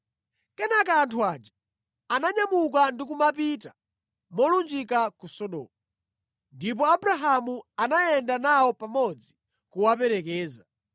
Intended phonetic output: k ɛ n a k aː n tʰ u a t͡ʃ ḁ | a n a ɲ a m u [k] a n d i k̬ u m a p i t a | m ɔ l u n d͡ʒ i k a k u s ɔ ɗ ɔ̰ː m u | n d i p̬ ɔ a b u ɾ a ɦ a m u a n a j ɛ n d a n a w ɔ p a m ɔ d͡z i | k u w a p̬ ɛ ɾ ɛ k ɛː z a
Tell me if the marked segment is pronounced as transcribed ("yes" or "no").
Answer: yes